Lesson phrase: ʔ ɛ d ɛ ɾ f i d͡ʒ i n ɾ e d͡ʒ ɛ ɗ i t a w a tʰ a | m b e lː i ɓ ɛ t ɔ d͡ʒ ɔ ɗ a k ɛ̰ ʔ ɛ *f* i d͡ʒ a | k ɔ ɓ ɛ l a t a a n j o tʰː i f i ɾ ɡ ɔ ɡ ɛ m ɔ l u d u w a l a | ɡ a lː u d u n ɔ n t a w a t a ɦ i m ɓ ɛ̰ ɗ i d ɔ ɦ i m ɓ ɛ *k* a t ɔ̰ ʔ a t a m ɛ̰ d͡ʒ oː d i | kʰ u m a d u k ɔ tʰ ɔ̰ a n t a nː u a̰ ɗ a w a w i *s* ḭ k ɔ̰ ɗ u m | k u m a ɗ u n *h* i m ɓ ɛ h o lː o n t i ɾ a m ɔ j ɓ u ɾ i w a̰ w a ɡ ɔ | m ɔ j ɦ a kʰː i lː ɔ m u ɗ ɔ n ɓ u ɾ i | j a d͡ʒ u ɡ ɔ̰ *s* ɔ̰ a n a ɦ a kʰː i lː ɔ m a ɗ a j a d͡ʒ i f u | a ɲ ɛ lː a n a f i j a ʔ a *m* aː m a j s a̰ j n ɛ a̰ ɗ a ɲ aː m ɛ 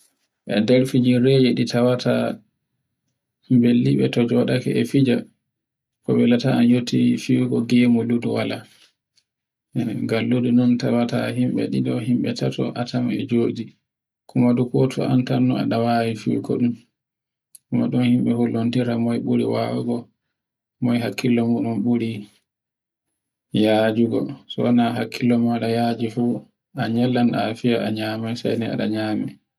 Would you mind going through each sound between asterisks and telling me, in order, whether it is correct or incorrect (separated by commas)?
correct, incorrect, incorrect, correct, correct, incorrect